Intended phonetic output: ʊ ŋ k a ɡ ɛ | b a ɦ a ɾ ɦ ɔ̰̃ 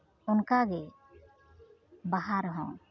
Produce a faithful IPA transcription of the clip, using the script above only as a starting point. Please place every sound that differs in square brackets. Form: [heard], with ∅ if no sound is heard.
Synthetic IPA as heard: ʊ [n] k a ɡ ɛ | b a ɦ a ɾ ɦ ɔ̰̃